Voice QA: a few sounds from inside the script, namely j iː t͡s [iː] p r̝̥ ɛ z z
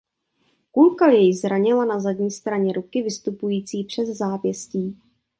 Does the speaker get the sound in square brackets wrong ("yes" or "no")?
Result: no